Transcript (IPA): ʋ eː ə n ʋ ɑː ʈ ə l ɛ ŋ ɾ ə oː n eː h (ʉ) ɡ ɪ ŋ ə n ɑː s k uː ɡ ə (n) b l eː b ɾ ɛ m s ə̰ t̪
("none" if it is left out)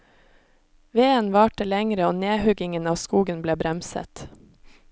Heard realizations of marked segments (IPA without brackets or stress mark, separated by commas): ʉ, n